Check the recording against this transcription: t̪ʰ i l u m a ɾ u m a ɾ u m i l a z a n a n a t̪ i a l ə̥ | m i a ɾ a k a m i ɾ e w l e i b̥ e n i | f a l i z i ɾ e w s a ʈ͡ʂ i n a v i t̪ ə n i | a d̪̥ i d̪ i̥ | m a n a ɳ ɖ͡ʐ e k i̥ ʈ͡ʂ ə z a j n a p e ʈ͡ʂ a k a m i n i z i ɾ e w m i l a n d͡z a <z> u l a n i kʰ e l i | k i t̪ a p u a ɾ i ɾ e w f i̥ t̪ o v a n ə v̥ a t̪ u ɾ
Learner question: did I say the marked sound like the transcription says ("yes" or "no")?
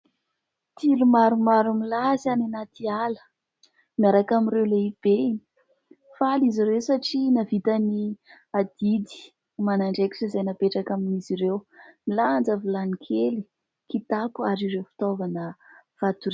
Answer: no